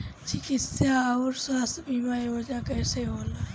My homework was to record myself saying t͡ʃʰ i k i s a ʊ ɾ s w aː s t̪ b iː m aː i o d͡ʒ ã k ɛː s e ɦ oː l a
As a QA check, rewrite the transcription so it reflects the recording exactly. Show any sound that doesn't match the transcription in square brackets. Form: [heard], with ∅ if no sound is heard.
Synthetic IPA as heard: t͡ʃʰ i k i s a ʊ ɾ s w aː s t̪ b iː m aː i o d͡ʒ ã k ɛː s e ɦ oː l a